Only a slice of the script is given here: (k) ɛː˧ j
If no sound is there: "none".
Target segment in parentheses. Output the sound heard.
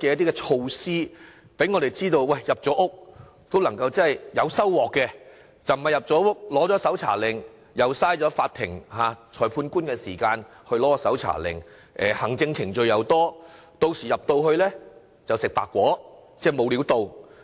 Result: k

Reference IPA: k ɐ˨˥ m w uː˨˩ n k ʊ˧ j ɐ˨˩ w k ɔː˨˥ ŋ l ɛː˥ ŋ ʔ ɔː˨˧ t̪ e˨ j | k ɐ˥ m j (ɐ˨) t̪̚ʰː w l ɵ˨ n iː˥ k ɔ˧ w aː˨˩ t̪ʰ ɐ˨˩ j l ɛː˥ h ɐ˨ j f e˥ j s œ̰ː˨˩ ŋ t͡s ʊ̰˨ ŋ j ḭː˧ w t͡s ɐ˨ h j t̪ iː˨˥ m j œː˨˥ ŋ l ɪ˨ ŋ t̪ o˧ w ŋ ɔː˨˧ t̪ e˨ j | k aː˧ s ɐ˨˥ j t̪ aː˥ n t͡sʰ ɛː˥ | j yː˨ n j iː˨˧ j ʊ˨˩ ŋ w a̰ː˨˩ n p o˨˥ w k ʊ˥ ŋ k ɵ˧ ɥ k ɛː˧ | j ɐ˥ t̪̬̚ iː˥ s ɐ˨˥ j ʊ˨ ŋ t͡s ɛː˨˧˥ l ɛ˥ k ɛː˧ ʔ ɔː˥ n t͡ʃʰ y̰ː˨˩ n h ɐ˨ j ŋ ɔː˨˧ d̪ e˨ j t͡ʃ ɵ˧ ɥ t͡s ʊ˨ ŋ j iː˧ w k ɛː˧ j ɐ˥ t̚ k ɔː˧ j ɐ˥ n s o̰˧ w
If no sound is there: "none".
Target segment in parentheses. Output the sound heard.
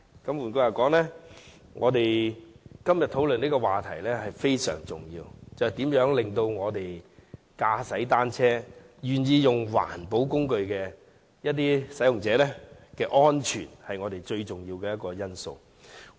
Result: ɐ˨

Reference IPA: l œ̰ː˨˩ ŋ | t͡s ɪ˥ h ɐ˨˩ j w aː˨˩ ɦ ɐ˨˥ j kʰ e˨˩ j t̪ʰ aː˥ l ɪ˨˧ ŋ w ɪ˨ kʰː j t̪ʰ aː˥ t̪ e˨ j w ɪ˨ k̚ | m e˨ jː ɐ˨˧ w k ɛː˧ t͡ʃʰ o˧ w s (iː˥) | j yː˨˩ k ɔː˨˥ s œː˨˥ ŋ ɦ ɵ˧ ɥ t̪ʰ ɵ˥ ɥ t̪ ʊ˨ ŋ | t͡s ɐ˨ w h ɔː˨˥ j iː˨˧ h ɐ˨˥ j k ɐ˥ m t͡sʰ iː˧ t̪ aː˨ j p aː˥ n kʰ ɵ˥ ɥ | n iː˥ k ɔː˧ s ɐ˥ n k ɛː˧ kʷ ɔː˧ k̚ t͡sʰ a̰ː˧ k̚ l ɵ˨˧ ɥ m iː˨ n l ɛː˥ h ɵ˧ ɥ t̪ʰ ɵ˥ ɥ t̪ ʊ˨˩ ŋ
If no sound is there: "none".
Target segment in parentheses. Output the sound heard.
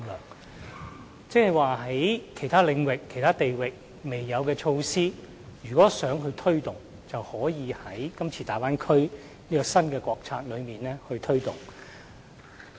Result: iː˥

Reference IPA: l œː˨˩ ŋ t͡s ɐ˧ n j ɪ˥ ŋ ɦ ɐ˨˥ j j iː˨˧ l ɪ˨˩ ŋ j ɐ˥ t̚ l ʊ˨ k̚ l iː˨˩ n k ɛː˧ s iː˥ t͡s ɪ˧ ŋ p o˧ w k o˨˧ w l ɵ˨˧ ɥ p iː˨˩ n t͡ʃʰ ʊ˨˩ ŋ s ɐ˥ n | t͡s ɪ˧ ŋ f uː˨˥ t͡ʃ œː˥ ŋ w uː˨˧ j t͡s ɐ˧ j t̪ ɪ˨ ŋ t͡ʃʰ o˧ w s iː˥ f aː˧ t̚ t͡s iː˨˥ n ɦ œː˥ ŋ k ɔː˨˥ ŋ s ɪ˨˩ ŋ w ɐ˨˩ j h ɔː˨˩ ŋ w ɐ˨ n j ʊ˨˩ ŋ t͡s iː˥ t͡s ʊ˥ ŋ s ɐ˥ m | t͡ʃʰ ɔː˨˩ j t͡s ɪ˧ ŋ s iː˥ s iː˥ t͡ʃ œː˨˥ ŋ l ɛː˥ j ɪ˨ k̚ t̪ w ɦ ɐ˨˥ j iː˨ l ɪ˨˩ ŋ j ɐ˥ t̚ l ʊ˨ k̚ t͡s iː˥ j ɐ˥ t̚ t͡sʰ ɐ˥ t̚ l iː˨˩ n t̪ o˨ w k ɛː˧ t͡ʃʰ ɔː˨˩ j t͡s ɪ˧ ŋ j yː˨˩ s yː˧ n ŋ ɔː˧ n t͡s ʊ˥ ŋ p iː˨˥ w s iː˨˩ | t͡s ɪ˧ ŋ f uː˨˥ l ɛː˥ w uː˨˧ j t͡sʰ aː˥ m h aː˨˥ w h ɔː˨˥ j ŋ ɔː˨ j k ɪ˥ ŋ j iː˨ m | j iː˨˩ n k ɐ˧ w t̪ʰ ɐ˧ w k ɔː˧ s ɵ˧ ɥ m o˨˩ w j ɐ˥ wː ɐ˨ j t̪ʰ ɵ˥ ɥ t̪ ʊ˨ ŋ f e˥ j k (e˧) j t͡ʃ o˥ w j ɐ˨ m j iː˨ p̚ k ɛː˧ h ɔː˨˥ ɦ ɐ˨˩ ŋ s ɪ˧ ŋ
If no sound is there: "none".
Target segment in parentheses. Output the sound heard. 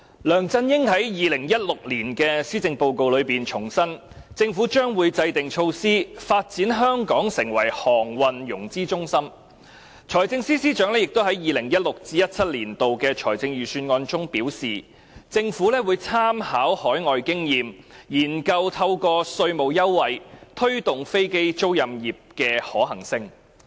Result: e˥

